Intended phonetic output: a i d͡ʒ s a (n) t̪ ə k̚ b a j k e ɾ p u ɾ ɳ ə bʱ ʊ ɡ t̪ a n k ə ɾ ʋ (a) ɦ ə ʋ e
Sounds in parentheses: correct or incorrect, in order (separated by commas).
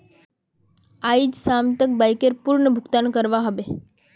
incorrect, correct